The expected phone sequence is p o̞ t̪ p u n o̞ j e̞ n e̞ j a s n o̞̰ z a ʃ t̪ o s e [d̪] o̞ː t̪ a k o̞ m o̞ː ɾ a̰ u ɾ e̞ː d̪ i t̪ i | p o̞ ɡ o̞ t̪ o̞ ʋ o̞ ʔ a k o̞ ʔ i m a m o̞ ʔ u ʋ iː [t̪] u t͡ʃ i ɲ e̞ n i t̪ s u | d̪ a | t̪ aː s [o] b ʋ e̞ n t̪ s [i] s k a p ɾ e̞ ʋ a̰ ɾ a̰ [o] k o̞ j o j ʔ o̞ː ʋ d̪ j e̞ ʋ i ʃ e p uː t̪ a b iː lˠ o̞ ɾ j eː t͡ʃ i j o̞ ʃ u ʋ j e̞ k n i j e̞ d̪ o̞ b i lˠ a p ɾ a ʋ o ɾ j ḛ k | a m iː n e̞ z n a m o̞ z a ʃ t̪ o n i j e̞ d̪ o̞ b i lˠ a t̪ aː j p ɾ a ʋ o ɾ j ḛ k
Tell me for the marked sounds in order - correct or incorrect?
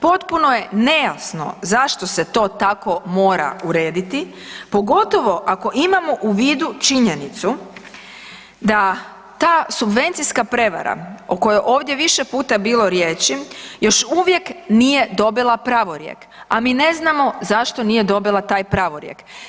incorrect: t̪, incorrect: d̪, incorrect: u, correct, correct

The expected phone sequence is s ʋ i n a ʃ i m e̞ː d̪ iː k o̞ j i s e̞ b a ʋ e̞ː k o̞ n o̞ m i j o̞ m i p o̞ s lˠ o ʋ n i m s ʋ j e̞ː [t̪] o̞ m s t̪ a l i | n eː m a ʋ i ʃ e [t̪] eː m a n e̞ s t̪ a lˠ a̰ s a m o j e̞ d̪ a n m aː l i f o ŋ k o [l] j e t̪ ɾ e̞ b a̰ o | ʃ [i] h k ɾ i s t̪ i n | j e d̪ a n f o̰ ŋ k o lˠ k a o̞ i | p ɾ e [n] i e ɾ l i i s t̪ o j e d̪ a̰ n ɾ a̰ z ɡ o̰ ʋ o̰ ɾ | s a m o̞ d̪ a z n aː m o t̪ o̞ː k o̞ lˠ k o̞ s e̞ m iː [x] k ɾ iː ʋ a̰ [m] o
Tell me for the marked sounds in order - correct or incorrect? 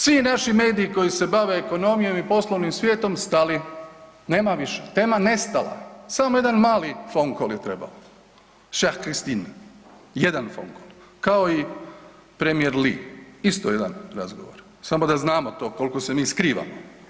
correct, correct, correct, incorrect: a, incorrect: m, incorrect: s, correct

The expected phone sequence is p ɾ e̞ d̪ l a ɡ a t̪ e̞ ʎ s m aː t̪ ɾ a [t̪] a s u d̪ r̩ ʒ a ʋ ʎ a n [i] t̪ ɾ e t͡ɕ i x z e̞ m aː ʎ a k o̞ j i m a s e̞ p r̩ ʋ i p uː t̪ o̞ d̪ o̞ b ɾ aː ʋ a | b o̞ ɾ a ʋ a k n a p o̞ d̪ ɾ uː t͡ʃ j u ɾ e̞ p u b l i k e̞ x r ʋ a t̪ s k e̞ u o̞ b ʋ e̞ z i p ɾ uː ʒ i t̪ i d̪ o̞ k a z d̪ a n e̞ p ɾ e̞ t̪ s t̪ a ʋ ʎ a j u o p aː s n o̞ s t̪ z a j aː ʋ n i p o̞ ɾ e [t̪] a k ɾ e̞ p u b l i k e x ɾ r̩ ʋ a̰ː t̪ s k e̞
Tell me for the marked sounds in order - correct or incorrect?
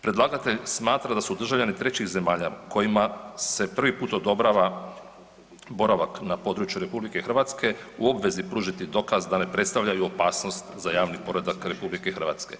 incorrect: d̪, correct, incorrect: d̪

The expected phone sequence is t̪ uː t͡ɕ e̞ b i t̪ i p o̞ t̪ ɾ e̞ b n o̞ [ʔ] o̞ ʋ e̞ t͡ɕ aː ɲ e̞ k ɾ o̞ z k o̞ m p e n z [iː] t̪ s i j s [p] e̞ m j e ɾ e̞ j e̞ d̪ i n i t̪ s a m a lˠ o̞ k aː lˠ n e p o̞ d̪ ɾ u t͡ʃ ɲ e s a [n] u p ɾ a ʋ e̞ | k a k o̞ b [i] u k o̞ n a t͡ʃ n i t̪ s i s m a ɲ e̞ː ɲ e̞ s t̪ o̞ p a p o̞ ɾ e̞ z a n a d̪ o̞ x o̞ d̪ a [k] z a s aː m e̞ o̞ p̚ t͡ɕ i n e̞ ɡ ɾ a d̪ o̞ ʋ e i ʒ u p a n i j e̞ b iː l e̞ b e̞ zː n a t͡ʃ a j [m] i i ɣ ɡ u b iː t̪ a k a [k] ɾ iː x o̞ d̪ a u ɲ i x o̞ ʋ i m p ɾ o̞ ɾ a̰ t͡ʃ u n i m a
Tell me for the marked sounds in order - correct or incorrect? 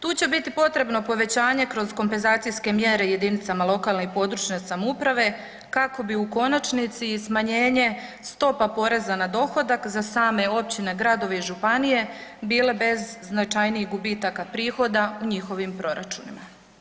incorrect: p, incorrect: aː, incorrect: k, incorrect: m, correct, correct, incorrect: n, incorrect: p

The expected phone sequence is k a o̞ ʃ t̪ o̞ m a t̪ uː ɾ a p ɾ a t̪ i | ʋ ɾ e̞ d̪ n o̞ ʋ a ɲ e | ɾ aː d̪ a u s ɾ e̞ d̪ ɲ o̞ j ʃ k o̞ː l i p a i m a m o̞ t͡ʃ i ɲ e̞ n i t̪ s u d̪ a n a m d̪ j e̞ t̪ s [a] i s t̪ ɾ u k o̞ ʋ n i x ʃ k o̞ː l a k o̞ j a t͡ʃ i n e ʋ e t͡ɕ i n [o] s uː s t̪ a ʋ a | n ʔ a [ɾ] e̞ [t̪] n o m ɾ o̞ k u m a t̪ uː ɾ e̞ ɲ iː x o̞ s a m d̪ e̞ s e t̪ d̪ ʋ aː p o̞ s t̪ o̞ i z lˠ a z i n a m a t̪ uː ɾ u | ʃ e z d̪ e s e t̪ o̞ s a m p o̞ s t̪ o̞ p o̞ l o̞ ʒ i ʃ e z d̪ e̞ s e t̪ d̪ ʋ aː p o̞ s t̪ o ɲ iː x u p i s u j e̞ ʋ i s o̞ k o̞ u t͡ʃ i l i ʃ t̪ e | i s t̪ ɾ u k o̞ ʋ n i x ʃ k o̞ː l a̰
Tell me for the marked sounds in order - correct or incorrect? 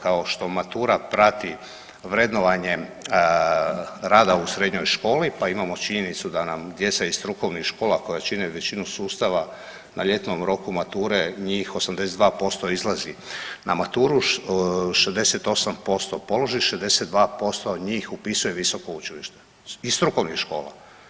correct, incorrect: u, incorrect: ʎ, correct

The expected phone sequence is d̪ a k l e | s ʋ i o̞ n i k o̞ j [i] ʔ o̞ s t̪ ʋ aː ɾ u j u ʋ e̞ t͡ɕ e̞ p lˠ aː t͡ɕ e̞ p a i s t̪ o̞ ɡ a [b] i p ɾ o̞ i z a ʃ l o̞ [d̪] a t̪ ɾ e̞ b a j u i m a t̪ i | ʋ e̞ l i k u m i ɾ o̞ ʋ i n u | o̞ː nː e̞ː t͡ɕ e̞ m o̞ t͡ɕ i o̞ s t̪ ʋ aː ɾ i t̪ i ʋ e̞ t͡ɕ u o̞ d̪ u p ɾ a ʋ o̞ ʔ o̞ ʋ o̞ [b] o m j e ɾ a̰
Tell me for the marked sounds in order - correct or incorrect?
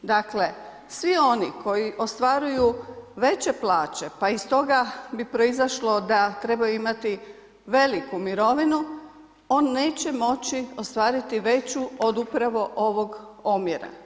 correct, correct, correct, incorrect: ɡ

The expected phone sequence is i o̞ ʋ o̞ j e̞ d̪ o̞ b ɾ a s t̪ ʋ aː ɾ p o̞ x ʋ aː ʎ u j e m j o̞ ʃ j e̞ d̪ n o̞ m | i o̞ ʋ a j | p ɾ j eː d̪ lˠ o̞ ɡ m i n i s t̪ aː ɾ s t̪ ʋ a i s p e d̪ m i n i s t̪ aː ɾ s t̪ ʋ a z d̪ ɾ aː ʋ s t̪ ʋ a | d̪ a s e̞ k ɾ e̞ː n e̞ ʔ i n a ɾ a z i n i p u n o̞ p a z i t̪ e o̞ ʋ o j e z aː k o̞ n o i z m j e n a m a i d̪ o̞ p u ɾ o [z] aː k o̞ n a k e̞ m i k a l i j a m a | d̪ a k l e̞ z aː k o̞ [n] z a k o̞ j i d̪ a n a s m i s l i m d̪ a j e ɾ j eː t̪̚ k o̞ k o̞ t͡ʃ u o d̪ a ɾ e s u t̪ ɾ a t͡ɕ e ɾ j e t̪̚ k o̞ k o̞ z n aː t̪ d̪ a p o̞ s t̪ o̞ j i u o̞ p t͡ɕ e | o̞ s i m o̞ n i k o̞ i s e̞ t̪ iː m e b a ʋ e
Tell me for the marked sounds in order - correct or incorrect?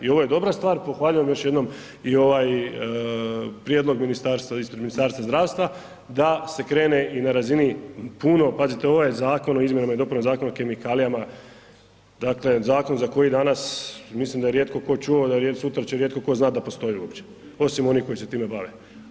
correct, correct

